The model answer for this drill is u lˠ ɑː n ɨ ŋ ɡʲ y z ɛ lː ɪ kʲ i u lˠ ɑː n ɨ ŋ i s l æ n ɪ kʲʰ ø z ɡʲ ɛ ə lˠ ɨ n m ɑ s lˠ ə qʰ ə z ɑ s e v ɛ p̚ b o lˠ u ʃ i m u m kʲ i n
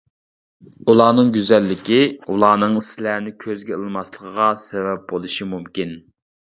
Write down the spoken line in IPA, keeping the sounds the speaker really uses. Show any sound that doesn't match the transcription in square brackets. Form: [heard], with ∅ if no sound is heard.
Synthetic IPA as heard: u lˠ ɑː n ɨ ŋ ɡʲ y z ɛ lː ɪ kʲ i u lˠ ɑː n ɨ ŋ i s l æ n ɪ kʲʰ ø z ɡʲ ɛ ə lˠ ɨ [∅] m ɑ s lˠ ə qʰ ə [ʁ] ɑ s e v ɛ p̚ b o lˠ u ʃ i m u m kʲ i n